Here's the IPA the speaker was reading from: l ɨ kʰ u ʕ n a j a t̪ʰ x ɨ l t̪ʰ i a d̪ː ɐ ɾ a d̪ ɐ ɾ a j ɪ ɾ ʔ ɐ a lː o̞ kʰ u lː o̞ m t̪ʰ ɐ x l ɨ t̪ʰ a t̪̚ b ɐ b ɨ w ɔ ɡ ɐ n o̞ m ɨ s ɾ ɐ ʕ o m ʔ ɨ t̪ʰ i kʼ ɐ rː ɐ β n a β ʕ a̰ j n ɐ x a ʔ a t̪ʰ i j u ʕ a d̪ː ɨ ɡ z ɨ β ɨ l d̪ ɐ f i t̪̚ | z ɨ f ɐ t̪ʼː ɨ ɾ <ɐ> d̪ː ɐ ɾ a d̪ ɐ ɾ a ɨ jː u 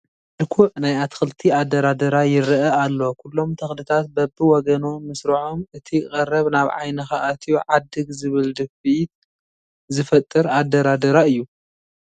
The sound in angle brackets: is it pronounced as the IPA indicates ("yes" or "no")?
no